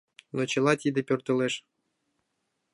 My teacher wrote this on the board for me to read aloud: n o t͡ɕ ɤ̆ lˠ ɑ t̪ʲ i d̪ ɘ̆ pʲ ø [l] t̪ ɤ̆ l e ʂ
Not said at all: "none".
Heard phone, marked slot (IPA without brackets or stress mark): r